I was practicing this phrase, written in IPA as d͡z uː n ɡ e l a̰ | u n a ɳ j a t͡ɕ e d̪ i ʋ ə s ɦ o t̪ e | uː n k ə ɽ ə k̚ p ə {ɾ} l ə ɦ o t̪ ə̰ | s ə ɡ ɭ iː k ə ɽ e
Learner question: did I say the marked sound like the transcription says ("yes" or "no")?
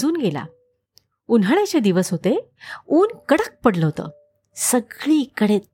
no